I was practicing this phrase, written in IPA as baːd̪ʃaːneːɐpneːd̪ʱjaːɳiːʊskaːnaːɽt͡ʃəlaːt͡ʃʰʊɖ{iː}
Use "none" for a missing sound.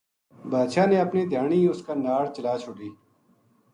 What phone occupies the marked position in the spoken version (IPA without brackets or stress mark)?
iː